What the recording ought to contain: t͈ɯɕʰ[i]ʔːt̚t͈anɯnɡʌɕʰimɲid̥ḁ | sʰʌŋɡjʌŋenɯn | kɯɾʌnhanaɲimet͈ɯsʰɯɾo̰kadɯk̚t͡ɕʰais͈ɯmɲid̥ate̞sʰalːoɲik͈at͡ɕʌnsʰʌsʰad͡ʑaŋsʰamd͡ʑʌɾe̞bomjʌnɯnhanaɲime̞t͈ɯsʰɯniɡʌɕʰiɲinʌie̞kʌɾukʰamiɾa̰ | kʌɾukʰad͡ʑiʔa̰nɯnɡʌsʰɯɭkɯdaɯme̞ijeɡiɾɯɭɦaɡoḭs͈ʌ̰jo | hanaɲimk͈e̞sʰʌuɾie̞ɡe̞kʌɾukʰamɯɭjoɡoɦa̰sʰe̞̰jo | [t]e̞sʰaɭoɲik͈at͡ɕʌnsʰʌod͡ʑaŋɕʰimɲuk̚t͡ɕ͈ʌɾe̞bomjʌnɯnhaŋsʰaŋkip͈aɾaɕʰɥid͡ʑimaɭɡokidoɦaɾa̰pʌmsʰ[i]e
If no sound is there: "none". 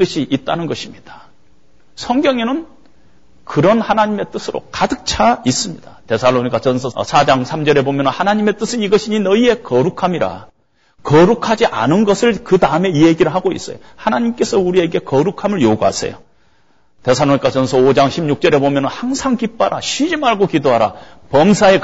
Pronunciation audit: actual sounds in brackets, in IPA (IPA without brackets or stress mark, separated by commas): i, t, a